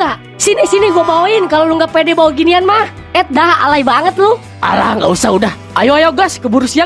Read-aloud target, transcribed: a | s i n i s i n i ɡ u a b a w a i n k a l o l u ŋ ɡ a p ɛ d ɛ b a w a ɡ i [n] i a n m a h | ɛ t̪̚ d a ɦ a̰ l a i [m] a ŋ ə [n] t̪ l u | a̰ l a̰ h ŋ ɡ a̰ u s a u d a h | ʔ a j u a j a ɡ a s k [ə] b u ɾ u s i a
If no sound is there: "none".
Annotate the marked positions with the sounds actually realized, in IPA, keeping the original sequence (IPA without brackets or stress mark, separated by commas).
n, b, none, ə